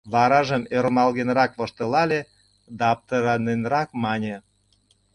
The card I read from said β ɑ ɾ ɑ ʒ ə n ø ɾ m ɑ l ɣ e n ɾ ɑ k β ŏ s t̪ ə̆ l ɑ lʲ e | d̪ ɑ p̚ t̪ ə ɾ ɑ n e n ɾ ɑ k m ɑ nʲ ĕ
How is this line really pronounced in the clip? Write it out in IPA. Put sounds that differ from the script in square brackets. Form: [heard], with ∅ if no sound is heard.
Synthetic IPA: β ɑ ɾ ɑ ʒ ə [m] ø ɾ m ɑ l ɣ e n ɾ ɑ k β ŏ [ʃ] t̪ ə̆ l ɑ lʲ e | d̪ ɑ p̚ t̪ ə ɾ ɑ n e n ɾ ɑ k m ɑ nʲ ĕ